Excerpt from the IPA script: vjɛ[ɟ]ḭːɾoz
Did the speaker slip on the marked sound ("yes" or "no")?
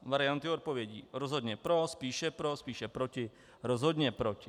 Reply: no